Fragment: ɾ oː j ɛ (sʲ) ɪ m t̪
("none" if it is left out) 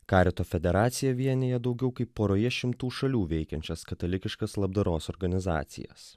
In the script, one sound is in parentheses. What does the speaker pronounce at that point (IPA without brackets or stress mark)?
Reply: ʃʲ